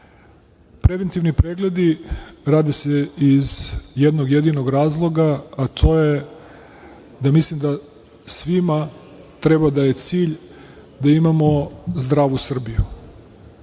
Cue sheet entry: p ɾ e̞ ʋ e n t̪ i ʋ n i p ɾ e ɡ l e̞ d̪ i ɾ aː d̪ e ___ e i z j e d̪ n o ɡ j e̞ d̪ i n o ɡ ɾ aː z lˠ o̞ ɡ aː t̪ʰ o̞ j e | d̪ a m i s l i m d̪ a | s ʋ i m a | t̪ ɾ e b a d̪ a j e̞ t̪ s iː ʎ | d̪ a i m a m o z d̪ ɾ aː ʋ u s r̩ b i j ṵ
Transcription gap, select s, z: s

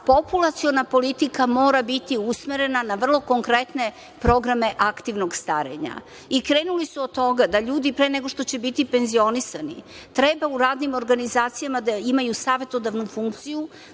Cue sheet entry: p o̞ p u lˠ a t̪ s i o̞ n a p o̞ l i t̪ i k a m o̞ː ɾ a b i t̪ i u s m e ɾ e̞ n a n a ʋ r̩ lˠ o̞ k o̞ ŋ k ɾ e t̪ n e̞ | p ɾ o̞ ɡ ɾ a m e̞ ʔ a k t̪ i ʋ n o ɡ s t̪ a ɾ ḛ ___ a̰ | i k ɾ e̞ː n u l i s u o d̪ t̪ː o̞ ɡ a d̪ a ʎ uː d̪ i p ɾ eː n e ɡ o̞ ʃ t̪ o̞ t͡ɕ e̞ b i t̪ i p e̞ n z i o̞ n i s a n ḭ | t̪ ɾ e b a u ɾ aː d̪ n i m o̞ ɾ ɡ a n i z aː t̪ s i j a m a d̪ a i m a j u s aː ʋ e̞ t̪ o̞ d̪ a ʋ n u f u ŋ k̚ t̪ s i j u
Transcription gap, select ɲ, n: ɲ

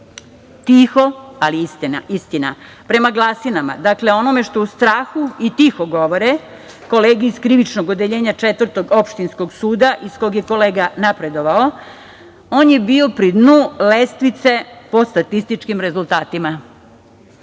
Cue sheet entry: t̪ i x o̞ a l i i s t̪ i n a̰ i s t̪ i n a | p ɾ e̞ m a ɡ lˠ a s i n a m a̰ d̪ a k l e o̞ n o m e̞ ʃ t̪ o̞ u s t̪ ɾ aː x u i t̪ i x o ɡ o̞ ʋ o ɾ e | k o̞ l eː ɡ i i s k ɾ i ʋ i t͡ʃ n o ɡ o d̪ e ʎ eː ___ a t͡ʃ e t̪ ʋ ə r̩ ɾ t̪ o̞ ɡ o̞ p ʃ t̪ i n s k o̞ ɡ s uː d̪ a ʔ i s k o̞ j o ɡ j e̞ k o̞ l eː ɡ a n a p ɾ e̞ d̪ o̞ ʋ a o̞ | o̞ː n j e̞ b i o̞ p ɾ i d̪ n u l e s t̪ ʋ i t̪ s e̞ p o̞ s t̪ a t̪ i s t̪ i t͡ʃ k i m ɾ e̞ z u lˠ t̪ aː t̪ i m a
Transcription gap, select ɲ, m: ɲ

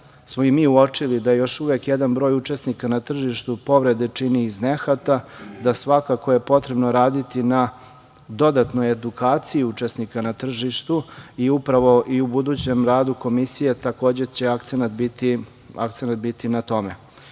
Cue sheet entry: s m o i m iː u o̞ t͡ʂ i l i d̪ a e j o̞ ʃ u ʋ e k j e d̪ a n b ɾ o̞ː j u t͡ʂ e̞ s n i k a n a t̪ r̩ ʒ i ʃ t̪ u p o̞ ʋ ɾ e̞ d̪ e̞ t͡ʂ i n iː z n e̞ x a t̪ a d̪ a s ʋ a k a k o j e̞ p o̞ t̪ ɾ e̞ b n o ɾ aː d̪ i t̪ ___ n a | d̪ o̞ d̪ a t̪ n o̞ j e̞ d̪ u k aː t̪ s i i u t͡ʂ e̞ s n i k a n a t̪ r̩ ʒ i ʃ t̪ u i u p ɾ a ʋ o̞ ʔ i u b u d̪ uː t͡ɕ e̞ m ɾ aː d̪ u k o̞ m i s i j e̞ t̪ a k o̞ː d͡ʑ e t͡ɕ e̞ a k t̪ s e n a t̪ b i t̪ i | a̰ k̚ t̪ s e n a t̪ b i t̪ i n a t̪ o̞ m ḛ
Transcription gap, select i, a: i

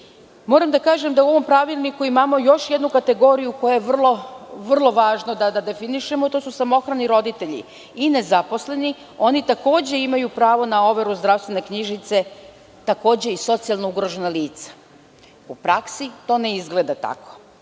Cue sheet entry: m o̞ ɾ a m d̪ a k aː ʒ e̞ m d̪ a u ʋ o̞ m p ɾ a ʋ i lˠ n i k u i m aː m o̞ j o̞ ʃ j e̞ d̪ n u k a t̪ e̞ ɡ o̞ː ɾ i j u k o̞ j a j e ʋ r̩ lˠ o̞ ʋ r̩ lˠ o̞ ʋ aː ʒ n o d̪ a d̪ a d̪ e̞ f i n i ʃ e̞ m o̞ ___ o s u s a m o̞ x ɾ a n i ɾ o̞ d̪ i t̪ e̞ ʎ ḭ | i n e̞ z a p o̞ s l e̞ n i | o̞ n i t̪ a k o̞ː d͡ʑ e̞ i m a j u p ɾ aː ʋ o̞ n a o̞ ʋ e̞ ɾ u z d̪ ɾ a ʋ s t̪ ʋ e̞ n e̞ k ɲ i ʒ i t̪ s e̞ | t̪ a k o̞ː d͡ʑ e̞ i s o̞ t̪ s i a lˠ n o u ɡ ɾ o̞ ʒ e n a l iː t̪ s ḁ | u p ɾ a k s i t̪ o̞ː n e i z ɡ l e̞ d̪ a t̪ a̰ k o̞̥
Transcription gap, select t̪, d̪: t̪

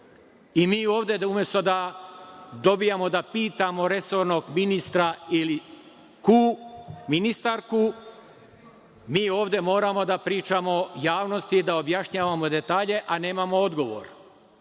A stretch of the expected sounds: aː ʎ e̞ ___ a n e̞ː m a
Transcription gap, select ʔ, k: ʔ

